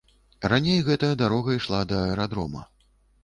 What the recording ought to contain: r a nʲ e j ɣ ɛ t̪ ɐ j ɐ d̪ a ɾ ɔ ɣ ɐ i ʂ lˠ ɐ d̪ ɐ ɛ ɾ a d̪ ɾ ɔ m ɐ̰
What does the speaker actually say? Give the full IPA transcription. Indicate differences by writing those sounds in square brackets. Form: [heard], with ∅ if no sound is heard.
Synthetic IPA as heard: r a nʲ e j ɣ ɛ t̪ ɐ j ɐ d̪ a ɾ ɔ ɣ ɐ i ʂ lˠ [a] d̪ ɐ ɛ ɾ a d̪ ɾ ɔ m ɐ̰